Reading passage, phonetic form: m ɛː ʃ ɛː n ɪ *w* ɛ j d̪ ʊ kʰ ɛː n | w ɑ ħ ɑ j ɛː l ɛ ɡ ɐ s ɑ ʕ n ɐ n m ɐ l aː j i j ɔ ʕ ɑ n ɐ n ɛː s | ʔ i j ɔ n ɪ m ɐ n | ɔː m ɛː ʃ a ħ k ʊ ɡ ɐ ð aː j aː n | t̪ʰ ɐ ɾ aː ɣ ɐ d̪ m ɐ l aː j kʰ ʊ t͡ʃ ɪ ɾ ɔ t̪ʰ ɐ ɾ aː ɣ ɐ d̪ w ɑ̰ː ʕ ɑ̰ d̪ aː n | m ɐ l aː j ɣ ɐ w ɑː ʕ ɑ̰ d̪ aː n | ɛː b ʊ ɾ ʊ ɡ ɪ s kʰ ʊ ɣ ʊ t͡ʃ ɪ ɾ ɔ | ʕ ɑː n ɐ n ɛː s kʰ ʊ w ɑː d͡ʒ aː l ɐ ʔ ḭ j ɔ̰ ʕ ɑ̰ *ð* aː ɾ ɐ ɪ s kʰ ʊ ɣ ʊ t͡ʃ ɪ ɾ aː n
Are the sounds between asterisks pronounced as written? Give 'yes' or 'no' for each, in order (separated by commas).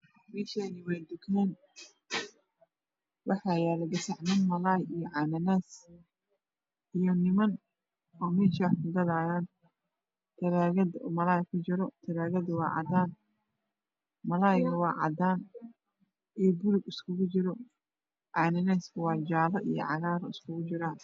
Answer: yes, no